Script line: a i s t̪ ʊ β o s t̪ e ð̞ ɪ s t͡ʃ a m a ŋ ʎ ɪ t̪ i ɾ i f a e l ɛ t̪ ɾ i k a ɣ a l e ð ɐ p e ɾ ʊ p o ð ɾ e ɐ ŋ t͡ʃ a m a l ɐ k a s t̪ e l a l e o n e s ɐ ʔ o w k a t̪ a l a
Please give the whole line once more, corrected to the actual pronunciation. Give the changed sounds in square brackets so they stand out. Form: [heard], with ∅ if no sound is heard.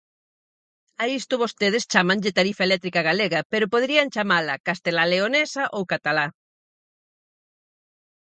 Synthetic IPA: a i s t̪ ʊ β o s t̪ e ð̞ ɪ s t͡ʃ a m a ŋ ʎ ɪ t̪ [a] ɾ i f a e l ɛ t̪ ɾ i k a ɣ a l e [ɣ] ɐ p e ɾ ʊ p o ð ɾ [i] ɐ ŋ t͡ʃ a m a l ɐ k a s t̪ e l a l e o n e s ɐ ʔ o w k a t̪ a l a